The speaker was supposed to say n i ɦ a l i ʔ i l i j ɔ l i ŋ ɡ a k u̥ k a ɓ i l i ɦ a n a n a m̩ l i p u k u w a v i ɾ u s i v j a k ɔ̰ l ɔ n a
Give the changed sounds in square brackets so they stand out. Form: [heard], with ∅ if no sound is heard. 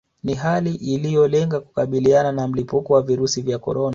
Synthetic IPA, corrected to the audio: n i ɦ a l i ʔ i l i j ɔ l [ɛ] ŋ ɡ a k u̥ k a ɓ i l i [∅] a n a n a m̩ l i p u k [ɔ] w a v i ɾ u s i v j a k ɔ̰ [ɾ] ɔ n a